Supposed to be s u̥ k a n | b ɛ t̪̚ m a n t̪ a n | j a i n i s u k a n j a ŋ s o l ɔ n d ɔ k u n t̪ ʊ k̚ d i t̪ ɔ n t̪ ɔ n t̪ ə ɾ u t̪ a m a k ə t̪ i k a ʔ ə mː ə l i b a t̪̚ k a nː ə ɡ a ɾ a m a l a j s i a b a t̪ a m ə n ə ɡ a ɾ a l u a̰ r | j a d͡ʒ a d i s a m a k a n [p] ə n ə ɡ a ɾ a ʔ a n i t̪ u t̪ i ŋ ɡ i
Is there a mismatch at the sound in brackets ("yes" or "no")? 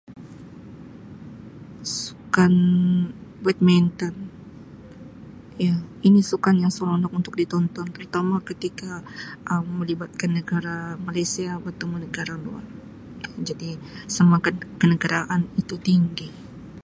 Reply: yes